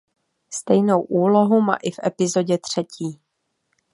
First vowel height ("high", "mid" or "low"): mid